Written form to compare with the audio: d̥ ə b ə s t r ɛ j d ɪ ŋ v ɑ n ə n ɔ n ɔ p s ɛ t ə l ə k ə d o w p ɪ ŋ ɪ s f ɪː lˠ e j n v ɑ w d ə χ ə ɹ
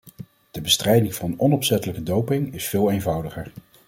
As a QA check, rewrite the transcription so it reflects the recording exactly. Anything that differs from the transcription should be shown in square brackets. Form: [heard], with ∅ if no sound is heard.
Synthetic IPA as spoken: d̥ ə b ə s t r ɛ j d ɪ ŋ v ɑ n ə n ɔ n ɔ p s ɛ t ə l ə k ə d o w p ɪ ŋ ɪ s f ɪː lˠ e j n v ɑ w d ə χ ə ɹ